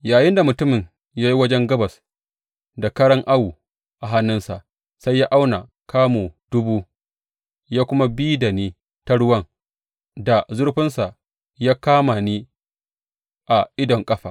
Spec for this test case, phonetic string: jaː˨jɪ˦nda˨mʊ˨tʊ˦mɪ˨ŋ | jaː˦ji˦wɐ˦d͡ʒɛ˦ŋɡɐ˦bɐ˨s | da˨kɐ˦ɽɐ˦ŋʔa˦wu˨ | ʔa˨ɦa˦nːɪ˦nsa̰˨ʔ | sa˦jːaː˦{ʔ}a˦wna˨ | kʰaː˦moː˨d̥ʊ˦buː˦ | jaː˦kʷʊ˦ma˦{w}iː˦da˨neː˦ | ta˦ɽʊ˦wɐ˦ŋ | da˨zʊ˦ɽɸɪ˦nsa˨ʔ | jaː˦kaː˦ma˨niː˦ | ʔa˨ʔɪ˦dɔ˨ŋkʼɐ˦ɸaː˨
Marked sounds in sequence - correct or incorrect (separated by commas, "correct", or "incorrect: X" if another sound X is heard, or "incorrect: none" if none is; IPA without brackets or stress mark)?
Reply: correct, incorrect: b